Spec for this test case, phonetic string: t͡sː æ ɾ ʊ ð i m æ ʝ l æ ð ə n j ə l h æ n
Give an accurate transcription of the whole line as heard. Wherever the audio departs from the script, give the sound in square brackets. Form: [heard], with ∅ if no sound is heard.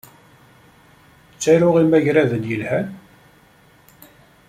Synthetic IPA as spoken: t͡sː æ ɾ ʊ [ʁ] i m æ ʝ [ɾ] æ ð ə n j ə l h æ n